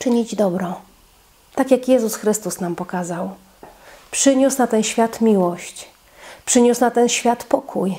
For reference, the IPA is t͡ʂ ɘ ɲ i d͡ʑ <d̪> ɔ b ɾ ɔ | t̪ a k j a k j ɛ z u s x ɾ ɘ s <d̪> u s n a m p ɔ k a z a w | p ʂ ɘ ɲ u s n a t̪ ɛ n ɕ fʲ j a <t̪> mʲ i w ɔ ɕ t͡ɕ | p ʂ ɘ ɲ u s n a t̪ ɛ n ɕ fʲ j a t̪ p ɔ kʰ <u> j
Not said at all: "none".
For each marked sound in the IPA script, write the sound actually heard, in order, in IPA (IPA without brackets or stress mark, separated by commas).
d̪, t̪, t̪, u